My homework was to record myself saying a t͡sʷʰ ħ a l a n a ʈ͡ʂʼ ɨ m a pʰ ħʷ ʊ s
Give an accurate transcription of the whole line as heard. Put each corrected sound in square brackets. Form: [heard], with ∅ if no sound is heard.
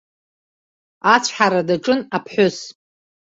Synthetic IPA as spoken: a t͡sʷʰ ħ a [ɾ] a [d] a ʈ͡ʂʼ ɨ [n] a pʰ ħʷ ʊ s